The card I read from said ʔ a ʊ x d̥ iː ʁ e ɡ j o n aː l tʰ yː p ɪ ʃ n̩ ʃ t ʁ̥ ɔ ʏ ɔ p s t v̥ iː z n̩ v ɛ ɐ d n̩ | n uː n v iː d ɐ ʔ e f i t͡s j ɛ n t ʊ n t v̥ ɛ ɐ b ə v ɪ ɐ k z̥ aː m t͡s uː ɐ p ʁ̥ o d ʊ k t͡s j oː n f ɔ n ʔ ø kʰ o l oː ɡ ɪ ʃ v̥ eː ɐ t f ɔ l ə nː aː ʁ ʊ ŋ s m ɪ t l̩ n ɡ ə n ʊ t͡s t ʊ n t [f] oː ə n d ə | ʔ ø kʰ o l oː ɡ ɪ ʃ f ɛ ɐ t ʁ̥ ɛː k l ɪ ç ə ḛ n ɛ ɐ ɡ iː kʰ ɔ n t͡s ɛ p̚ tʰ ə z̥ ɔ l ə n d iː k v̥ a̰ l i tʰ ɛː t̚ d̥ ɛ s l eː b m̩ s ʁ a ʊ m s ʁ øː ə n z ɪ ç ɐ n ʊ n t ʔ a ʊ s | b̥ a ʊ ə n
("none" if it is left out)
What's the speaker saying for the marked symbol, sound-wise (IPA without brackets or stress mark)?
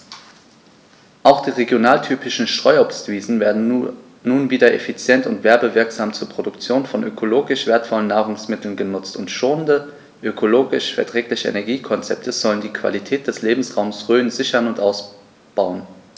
ʃ